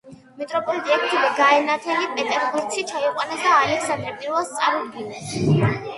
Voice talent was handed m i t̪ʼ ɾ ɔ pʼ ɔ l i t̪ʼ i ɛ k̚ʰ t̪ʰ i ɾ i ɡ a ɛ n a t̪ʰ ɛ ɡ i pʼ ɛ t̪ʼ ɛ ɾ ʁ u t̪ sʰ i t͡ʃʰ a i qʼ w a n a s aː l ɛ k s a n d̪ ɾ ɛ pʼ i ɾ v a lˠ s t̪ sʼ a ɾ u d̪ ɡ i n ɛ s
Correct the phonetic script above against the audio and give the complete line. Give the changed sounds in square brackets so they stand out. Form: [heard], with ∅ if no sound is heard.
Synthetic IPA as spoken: m i t̪ʼ ɾ ɔ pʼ ɔ l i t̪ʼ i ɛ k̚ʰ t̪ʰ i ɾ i ɡ a ɛ n a t̪ʰ ɛ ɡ i pʼ ɛ t̪ʼ ɛ ɾ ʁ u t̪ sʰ i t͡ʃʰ a i qʼ w a n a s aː l ɛ k s a n d̪ ɾ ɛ pʼ i ɾ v a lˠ s t̪ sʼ a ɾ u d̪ ɡ i n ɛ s